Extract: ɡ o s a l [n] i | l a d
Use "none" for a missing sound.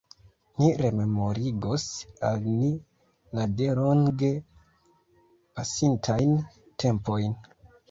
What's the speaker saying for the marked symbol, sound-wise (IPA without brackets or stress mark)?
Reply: n